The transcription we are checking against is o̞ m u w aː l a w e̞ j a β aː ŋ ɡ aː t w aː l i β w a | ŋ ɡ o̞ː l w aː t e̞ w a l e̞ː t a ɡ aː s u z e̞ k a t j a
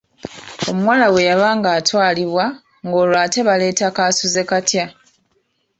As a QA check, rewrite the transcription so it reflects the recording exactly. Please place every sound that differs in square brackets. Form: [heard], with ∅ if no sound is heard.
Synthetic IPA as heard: o̞ m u w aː l a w e̞ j a β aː ŋ ɡ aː t w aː l i β w a | ŋ ɡ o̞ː l w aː t e̞ [β] a l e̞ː t a [k] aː s u z e̞ k a t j a